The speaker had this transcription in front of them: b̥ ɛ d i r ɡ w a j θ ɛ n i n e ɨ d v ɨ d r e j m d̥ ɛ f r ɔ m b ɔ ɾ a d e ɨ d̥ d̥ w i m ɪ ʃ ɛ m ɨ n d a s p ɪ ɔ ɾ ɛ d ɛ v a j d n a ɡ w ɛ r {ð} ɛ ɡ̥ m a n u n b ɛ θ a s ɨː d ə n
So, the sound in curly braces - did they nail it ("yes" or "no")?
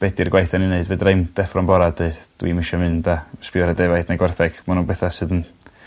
no